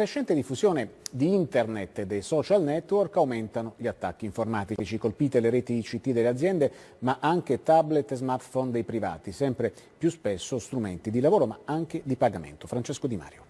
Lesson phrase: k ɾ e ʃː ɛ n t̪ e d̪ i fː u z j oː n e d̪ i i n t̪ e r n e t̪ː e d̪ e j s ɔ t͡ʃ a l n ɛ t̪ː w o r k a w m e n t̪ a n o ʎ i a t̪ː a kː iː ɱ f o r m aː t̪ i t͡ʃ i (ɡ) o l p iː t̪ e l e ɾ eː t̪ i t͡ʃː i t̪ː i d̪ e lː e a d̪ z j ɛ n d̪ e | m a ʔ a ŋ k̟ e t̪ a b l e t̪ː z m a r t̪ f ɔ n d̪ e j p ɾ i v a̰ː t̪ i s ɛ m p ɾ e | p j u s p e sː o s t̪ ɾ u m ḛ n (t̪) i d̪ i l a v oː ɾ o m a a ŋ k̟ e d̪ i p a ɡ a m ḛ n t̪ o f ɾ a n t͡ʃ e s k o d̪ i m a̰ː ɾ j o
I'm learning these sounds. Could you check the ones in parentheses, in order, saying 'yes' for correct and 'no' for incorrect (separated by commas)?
no, yes